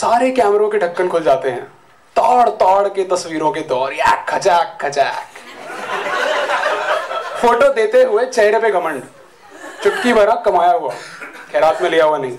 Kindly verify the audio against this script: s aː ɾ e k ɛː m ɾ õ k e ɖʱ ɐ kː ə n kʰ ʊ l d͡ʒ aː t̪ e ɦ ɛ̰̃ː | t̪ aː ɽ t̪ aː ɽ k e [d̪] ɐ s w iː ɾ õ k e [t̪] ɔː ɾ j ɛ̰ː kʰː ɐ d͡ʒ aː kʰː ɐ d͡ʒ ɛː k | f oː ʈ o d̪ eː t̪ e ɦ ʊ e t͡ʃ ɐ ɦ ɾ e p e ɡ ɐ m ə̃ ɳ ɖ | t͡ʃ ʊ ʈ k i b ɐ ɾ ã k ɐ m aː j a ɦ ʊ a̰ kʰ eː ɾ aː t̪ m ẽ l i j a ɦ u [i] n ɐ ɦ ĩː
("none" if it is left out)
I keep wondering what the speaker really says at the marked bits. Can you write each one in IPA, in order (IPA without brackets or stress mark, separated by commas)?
t̪, d̪, a